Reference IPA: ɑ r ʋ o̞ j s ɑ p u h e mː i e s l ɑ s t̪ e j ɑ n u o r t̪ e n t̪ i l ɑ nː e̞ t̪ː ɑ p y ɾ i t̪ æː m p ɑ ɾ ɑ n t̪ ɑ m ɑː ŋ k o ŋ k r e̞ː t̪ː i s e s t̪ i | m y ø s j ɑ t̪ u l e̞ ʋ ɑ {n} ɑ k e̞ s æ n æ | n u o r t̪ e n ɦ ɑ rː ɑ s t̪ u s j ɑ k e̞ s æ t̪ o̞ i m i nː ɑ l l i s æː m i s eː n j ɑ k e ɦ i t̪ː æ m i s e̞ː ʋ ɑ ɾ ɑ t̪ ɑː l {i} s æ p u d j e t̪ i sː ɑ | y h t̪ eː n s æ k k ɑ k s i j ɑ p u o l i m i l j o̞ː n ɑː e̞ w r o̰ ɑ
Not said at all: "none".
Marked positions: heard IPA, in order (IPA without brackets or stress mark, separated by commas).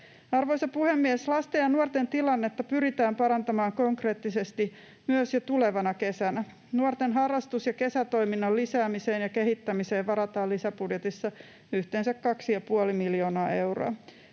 n, i